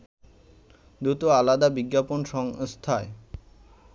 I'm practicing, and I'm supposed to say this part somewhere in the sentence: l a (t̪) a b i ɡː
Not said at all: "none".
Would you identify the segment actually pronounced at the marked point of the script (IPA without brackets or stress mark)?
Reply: d̪